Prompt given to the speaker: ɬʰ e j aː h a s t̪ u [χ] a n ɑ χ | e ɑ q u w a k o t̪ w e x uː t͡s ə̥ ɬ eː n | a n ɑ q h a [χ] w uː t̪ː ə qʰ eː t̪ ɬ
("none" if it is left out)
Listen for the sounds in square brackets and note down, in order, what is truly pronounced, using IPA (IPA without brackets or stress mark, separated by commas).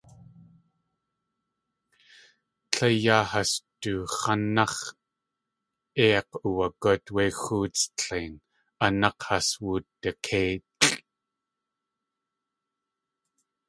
χ, s